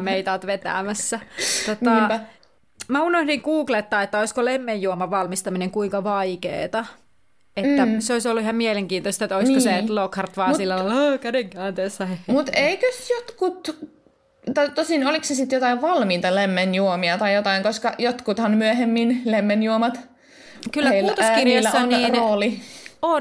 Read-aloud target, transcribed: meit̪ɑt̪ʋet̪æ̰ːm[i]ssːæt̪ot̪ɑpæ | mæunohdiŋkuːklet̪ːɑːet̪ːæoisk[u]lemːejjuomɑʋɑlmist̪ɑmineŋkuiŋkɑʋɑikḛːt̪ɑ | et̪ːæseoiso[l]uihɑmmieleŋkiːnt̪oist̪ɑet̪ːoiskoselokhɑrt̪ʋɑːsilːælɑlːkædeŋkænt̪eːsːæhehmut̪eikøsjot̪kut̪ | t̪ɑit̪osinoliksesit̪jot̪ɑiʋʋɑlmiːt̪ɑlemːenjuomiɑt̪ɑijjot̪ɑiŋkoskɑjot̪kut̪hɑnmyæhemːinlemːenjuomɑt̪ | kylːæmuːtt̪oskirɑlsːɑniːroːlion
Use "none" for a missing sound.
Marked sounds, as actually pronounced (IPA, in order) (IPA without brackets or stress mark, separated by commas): æ, o, lː